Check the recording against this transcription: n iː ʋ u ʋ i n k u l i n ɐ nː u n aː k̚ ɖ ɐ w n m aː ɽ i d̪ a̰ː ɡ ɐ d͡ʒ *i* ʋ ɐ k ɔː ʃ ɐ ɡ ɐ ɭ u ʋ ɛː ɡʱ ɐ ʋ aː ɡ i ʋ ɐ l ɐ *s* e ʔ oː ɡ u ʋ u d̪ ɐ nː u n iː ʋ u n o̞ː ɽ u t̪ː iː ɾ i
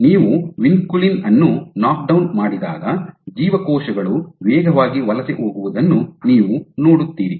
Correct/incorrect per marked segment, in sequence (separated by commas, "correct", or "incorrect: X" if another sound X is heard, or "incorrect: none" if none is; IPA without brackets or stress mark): incorrect: iː, correct